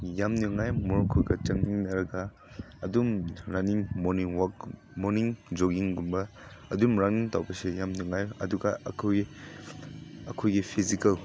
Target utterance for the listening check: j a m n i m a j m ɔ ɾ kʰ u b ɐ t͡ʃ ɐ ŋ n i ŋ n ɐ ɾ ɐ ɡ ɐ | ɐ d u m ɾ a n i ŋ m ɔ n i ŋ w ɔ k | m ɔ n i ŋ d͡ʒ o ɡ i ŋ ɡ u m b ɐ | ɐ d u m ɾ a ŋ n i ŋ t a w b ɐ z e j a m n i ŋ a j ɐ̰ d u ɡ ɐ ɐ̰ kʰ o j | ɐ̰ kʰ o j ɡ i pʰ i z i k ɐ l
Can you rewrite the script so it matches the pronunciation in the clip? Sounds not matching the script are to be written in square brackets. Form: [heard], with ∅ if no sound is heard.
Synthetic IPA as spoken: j a m n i [ŋ] a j m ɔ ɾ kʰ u [ɡ] ɐ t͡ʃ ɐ ŋ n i ŋ n ɐ ɾ ɐ ɡ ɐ | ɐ d u m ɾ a n i ŋ m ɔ n i ŋ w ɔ k | m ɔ n i ŋ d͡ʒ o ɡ i ŋ ɡ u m b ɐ | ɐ d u m ɾ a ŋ n i ŋ t a w b ɐ [s] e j a m n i ŋ a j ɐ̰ d u ɡ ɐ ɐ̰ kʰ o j | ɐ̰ kʰ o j ɡ i pʰ i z i k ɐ l